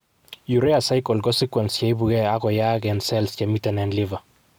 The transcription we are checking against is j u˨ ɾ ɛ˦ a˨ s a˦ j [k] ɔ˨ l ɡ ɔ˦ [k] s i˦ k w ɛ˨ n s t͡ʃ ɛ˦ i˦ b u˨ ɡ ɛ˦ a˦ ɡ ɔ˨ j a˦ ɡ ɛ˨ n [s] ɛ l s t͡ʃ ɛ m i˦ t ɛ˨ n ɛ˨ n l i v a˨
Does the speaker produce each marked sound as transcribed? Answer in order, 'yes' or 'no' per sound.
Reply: yes, no, yes

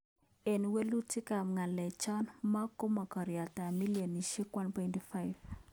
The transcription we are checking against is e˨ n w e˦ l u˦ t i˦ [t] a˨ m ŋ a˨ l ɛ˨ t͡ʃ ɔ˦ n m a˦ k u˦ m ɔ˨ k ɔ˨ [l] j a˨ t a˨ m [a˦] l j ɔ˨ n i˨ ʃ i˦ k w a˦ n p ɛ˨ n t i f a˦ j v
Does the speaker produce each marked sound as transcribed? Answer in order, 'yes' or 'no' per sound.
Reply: no, no, no

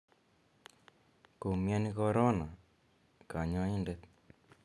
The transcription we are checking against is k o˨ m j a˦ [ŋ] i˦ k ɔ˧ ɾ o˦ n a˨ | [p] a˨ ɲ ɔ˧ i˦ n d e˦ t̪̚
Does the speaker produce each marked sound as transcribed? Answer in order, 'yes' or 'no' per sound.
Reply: no, no

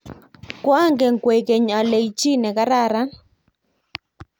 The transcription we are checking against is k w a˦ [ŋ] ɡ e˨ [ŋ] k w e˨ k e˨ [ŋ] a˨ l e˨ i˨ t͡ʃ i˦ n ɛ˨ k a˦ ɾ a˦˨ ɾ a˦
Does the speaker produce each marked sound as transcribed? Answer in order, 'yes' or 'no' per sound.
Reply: yes, yes, no

